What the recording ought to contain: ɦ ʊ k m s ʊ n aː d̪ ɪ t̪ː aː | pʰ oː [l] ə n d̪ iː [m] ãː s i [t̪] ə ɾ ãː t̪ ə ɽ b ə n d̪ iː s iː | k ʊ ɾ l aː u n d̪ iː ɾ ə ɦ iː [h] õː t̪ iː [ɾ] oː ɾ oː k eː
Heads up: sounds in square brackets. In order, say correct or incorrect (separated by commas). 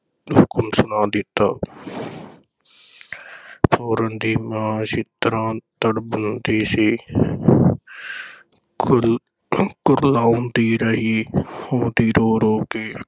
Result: incorrect, correct, correct, correct, correct